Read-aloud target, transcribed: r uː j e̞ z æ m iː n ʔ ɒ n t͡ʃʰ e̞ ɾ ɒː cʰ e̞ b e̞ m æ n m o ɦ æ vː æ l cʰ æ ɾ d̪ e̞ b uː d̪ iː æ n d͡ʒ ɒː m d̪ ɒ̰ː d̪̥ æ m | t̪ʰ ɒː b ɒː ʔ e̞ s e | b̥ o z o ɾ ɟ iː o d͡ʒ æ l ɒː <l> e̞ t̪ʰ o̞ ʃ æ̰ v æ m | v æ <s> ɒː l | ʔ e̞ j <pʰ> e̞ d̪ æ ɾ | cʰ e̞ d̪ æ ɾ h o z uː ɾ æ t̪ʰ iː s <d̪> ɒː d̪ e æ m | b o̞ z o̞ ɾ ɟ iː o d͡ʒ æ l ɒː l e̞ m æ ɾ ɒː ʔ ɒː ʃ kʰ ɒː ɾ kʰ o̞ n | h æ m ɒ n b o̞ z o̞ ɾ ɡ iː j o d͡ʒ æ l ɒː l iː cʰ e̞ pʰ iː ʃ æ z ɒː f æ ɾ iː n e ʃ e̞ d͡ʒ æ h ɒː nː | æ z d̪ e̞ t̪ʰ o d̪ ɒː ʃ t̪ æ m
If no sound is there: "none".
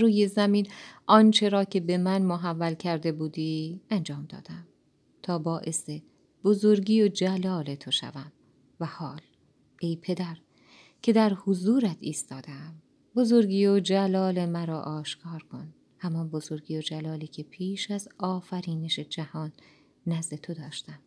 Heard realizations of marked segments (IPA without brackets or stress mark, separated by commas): l, h, pʰ, t̪